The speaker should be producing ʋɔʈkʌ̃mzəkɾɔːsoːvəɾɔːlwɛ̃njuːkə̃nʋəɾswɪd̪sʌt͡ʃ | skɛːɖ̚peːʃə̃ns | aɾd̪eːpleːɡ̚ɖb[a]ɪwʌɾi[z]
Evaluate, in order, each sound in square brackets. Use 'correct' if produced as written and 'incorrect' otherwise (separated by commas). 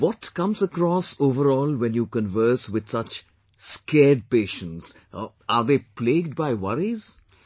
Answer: correct, correct